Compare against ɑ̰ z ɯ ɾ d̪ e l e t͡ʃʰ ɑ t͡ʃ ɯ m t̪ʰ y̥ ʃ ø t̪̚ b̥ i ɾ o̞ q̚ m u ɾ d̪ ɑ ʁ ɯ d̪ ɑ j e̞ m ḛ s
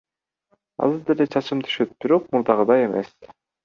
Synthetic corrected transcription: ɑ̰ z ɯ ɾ d̪ e l e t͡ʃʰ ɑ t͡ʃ ɯ m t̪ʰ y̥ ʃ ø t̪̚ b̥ i ɾ o̞ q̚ m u ɾ d̪ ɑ ʁ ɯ d̪ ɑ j e̞ m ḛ s